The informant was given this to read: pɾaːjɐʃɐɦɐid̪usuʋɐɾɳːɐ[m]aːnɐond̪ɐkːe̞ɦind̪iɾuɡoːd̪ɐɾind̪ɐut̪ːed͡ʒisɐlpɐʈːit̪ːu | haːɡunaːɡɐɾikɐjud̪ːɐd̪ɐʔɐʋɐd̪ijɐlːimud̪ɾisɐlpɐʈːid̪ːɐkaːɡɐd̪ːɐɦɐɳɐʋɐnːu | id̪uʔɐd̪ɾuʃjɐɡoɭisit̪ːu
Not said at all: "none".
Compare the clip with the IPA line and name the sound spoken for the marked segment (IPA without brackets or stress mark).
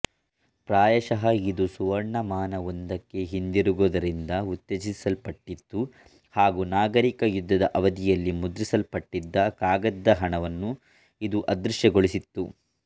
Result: m